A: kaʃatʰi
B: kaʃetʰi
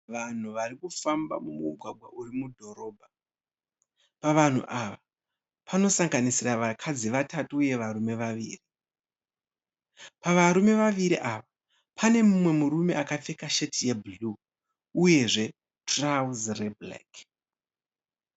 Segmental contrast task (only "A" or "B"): B